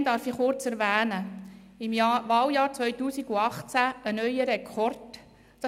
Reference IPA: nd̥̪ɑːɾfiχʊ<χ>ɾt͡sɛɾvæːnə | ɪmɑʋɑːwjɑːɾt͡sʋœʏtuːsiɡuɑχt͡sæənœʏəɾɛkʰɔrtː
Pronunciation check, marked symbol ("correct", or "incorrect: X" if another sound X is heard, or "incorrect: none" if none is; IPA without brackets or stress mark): incorrect: none